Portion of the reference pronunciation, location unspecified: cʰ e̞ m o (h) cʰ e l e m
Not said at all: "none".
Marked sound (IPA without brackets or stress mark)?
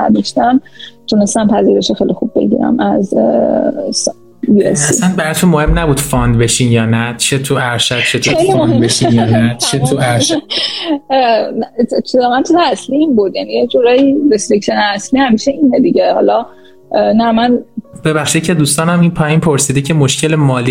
ʃ